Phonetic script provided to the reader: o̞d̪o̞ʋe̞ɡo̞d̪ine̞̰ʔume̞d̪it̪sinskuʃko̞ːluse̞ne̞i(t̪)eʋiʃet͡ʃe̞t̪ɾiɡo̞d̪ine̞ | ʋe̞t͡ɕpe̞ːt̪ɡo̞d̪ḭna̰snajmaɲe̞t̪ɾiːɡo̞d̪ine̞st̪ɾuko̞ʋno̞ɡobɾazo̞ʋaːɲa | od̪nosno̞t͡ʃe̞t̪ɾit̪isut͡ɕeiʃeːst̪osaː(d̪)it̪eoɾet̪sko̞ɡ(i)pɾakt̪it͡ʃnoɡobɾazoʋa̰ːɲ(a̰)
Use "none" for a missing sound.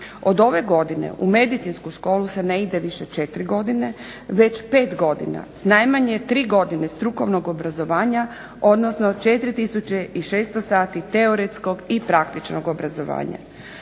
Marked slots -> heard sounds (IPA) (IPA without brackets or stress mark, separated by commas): d̪, t̪, i, a̰